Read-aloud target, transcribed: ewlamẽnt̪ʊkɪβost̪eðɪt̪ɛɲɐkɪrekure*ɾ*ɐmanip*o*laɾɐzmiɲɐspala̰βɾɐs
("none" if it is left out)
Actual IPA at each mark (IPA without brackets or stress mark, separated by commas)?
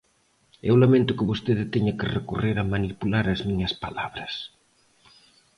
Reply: ɾ, u